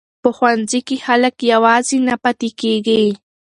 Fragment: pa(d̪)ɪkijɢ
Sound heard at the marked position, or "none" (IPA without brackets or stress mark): t̪